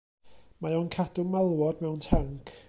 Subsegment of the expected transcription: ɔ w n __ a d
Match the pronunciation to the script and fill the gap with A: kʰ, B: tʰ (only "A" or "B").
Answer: A